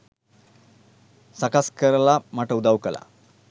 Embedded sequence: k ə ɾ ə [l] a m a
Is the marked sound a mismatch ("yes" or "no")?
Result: no